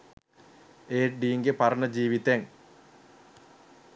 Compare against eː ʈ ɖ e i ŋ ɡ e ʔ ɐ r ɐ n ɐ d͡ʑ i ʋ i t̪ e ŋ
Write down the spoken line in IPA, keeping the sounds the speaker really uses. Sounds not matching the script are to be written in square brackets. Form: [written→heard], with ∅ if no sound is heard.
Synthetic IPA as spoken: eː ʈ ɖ [e→i] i ŋ ɡ e [ʔ→p] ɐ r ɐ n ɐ d͡ʑ [i→iː] ʋ i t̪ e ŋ